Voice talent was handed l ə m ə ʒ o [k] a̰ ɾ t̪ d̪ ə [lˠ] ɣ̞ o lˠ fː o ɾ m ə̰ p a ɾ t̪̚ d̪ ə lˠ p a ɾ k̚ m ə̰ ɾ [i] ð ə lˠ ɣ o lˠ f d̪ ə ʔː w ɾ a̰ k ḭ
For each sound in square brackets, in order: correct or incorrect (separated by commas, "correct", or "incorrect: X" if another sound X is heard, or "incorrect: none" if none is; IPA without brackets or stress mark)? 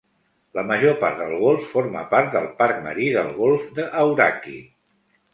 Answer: incorrect: p, correct, correct